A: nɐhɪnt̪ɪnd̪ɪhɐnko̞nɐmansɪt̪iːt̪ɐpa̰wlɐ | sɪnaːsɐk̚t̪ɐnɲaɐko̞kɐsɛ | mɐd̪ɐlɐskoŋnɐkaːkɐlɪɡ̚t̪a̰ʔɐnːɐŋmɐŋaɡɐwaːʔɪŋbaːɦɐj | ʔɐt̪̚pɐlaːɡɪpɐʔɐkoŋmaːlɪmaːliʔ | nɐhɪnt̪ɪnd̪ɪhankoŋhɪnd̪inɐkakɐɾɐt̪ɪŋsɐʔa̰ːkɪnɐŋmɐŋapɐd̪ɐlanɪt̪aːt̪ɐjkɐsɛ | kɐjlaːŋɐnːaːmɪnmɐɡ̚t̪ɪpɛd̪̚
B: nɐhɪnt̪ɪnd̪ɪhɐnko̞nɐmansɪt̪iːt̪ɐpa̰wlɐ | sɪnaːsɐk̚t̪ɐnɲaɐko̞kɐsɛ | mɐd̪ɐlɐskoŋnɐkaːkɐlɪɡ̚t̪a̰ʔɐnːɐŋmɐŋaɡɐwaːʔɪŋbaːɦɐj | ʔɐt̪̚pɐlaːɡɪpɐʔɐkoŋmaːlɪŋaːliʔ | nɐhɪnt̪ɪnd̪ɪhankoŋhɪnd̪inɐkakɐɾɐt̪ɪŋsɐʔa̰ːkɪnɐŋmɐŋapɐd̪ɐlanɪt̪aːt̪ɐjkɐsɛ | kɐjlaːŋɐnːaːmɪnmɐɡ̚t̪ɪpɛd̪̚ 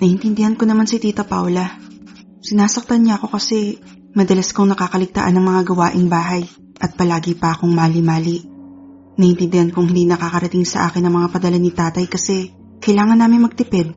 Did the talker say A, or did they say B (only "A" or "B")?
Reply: A